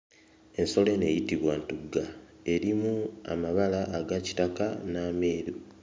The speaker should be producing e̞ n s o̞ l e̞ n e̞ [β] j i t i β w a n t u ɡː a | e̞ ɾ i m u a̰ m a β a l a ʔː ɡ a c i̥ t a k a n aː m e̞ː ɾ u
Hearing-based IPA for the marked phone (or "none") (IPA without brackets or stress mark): none